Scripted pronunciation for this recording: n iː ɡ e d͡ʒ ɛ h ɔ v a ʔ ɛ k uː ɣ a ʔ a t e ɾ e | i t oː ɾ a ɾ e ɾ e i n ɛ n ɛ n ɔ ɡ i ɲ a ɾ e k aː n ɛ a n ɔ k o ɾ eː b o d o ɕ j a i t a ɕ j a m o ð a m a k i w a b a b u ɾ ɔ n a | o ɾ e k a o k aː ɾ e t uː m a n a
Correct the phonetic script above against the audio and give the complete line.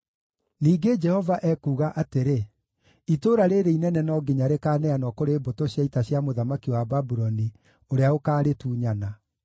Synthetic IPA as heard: n iː ɡ e d͡ʒ ɛ h ɔ v a ʔ ɛ k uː ɣ a ʔ a t e ɾ e | i t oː ɾ a ɾ e ɾ e i n ɛ n ɛ n ɔ ɡ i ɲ a ɾ e k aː n ɛ a n ɔ k o ɾ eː b o t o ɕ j a i t a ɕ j a m o ð a m a k i w a b a b u ɾ ɔ n i | o ɾ e a o k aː ɾ e t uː ɲ a n a

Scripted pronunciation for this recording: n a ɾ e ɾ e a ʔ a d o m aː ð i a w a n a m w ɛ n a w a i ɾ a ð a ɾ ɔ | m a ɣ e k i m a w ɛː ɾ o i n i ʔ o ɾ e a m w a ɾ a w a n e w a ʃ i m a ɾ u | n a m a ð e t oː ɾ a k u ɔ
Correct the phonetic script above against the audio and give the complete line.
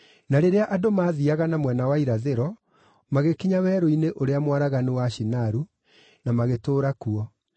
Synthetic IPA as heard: n a ɾ e ɾ e a ʔ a d o m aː ð i a ɣ a n a m w ɛ n a w a i ɾ a ð e ɾ ɔ | m a ɣ e k i ɲ a w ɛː ɾ o i n e ʔ o ɾ e a m w a ɾ a ɣ a n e w a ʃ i n a ɾ u | n a m a ɣ e t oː ɾ a k u ɔ

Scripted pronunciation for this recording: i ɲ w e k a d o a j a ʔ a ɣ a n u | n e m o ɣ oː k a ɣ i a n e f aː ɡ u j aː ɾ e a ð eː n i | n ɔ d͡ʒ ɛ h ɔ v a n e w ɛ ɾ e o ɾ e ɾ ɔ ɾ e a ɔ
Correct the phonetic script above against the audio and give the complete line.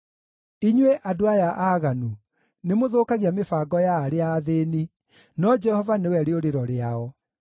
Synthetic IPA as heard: i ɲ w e ʔ a d o a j a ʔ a ɣ a n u | n e m o ð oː k a ɣ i a m e f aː ɡ ɔ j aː ɾ e a ð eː n i | n ɔ d͡ʒ ɛ h ɔ v a n e w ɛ ɾ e o ɾ e ɾ ɔ ɾ e a ɔ

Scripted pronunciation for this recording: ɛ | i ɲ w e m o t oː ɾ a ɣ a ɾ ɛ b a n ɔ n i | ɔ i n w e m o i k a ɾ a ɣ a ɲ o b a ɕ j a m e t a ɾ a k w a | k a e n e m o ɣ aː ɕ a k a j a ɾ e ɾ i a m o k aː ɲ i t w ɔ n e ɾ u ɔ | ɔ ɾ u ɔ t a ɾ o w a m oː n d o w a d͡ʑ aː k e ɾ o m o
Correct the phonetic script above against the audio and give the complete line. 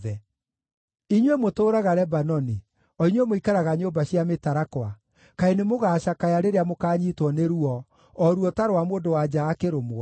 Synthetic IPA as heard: ɛ | i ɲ w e m o t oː ɾ a ɣ a ɾ ɛ b a n ɔ n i | ɔ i ɲ w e m o i k a ɾ a ɣ a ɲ o b a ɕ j a m e t a ɾ a k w a | k a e n e m o ɣ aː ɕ a k a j a ɾ e ɾ e a m o k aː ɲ i t w ɔ n e ɾ u ɔ | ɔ ɾ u ɔ t a ɾ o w a m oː n d o w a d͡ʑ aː k e ɾ o m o

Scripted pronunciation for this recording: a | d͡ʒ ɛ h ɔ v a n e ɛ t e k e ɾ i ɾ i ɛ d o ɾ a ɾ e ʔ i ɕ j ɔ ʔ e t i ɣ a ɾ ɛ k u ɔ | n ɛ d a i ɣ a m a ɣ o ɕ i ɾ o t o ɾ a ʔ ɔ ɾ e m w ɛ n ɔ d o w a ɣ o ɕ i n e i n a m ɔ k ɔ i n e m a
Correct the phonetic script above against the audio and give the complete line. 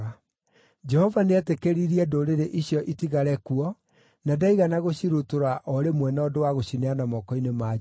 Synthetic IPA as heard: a | d͡ʒ ɛ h ɔ v a n e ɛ t e k e ɾ i ɾ i ɛ d o ɾ e ɾ e ʔ i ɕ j ɔ ʔ i t i ɣ a ɾ ɛ k u ɔ | n a d a i ɣ a n a ɣ o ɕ i ɾ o t o ɾ a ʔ ɔ ɾ e m w ɛ n ɔ d o w a ɣ o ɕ i n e a n a m ɔ k ɔ i n e m a

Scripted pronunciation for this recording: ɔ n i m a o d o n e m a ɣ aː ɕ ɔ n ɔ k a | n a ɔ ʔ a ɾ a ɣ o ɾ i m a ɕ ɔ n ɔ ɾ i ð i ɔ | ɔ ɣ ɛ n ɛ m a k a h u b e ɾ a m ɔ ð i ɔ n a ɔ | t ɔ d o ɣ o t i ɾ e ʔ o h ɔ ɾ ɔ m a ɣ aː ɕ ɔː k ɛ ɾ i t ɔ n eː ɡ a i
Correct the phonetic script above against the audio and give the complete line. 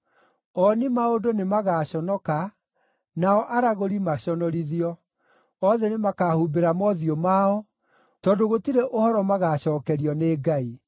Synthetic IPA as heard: ɔ n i m a o d o n e m a ɣ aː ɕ ɔ n ɔ k a | n a ɔ ʔ a ɾ a ɣ o ɾ i m a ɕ ɔ n ɔ ɾ i ð i ɔ | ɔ ð ɛ n e m a k a h u b e ɾ a m ɔ ð i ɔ m a ɔ | t ɔ d o ɣ o t i ɾ e ʔ o h ɔ ɾ ɔ m a ɣ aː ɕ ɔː k ɛ ɾ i ɔ n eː ɡ a i

